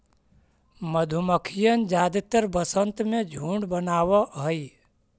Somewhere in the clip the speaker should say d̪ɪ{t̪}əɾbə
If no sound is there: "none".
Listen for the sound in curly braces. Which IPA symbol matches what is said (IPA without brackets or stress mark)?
t̪